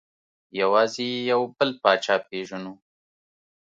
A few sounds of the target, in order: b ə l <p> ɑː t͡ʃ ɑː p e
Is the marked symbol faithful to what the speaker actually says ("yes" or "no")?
yes